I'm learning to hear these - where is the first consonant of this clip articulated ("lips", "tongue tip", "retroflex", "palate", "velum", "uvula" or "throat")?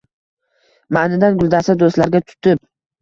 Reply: lips